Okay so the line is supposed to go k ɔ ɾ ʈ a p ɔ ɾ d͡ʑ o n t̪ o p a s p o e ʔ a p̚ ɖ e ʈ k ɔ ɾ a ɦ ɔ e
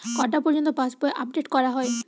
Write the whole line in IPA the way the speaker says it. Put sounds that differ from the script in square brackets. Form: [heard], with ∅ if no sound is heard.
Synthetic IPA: k ɔ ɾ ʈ a p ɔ ɾ d͡ʑ o n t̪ o p a s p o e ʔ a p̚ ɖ e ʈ k ɔ ɾ a ɦ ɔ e